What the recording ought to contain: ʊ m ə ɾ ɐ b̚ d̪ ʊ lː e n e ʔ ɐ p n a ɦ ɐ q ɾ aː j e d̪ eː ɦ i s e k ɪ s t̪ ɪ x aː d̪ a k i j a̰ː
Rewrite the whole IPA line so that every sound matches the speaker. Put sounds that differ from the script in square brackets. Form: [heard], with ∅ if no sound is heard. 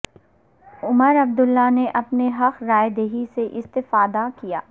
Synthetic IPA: ʊ m ə ɾ ɐ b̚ d̪ ʊ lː [a] n e ʔ ɐ p n [e] ɦ ɐ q ɾ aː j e d̪ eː ɦ i s e [ʔ] ɪ s t̪ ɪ [f] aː d̪ a k i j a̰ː

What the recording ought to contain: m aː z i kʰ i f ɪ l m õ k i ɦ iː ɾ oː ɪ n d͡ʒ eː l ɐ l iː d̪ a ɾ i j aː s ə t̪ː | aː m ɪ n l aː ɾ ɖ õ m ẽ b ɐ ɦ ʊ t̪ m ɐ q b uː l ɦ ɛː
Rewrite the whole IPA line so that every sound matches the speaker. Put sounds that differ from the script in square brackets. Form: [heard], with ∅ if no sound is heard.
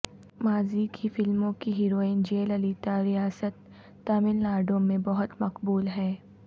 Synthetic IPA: m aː z i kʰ i f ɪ l m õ k i ɦ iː ɾ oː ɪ n d͡ʒ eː l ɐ l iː [t̪] a ɾ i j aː s ə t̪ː | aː m ɪ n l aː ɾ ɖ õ m ẽ b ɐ ɦ ʊ t̪ m ɐ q b uː l ɦ ɛː

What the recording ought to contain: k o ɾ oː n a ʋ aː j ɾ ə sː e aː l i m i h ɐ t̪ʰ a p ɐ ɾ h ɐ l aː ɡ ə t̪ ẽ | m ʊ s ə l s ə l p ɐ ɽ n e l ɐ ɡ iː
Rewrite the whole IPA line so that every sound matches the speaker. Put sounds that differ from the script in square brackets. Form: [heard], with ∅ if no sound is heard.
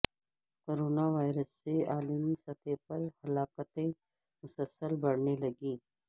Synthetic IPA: k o ɾ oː n a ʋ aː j ɾ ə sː e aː l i m i [s] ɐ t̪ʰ [e] p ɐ ɾ h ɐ l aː [k] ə t̪ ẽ | m ʊ s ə l s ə l [b] ɐ ɽ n e l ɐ ɡ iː

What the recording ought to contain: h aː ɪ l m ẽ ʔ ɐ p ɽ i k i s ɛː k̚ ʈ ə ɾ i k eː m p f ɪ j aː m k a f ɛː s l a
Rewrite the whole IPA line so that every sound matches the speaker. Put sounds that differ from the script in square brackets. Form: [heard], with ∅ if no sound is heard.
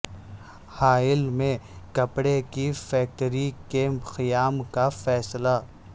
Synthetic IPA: h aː ɪ l m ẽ [k] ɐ p ɽ [e] k i [f] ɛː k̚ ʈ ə ɾ i k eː m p [x] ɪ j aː m k a f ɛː s l a

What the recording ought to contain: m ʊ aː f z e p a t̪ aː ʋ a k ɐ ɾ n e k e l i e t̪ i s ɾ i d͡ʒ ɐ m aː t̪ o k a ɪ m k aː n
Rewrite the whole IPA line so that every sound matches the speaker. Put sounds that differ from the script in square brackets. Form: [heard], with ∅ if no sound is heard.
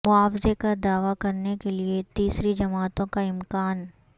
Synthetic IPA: m ʊ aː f z e [k] a [d̪] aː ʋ a k ɐ ɾ n e k e l i e t̪ [iː] s ɾ i d͡ʒ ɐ m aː t̪ [õ] k a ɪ m k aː n

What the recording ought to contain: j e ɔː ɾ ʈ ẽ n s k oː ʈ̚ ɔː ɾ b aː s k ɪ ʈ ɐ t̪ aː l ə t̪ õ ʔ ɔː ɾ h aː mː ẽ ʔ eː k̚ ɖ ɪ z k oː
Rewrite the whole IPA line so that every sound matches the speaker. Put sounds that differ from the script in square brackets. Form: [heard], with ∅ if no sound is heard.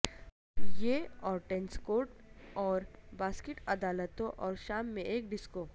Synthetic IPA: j e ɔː ɾ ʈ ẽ n s k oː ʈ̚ ɔː ɾ b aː s k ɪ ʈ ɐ [d̪] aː l ə t̪ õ ʔ ɔː ɾ [ʃ] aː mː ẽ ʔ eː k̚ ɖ ɪ [s] k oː

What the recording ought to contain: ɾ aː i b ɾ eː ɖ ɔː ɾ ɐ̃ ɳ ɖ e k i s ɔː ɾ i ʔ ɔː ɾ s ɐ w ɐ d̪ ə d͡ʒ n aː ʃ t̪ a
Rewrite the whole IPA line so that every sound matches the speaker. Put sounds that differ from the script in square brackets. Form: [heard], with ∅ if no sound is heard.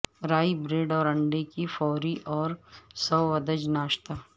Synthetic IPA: ɾ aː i b ɾ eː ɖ ɔː ɾ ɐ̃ ɳ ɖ e k i [f] ɔː ɾ i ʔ ɔː ɾ s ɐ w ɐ d̪ ə d͡ʒ n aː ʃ t̪ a

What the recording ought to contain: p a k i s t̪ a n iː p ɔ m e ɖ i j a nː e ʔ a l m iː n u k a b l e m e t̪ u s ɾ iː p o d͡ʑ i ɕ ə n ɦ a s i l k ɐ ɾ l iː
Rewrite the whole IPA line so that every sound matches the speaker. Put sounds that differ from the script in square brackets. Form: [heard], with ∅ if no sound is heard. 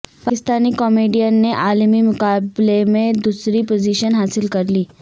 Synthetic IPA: p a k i s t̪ a n iː [k] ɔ m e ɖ i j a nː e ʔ a l m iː [m] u k a b l e m e [d̪] u s ɾ iː p o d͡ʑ i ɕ ə n ɦ a s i l k [ə] ɾ l iː

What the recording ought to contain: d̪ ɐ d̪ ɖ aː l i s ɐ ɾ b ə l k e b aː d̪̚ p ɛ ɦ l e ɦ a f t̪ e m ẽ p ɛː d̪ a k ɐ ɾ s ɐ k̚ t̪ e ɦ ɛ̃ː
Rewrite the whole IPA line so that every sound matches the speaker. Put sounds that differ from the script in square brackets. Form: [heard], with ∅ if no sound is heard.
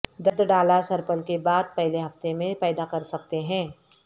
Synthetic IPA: d̪ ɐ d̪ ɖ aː l [a] s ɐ ɾ [p] ə l k e b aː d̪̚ p ɛ ɦ l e ɦ [ɐ] f t̪ e m ẽ p ɛː d̪ a k ɐ ɾ s ɐ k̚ t̪ e ɦ ɛ̃ː

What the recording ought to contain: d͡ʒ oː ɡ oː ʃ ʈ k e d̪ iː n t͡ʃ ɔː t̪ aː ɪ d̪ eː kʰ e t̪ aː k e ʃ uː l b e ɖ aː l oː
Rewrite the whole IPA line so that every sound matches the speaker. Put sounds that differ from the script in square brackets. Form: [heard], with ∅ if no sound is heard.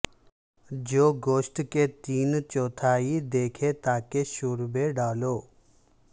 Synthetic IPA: d͡ʒ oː ɡ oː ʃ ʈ k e [t̪] iː n t͡ʃ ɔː [t̪ʰ] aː [i] d̪ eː kʰ e t̪ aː k e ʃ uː [ɾ] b e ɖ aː l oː

